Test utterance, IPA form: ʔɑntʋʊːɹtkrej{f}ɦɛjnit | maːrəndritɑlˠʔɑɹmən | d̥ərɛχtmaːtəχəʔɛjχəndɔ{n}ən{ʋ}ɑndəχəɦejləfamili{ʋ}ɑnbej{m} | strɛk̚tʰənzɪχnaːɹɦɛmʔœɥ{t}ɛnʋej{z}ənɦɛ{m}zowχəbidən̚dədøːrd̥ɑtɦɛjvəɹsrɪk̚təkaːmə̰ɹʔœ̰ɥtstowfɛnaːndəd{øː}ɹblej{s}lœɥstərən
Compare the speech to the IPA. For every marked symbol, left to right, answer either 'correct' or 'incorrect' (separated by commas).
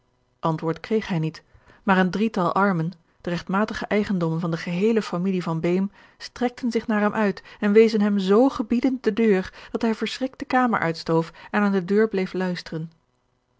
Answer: incorrect, incorrect, incorrect, incorrect, correct, correct, correct, correct, correct, incorrect